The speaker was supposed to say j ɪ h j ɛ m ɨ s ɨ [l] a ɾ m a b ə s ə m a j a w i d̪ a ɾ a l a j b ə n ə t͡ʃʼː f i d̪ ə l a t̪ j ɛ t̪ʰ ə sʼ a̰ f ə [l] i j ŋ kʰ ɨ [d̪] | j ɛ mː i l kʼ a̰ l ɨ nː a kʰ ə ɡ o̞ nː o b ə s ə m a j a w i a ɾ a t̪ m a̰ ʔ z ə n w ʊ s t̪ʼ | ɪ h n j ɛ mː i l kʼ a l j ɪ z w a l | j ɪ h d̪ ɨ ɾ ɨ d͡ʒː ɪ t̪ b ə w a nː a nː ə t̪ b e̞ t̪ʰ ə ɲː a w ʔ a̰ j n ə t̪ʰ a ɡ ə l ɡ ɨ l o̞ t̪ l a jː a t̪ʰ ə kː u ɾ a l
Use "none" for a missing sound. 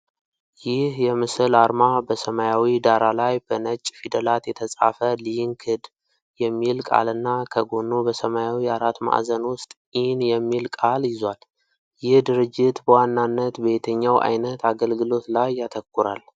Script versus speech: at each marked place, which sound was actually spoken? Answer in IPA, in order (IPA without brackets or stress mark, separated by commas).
l, l, d̪